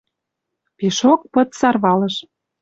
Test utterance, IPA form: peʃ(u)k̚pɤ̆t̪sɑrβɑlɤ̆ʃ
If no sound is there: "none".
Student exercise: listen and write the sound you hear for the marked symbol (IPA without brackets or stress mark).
o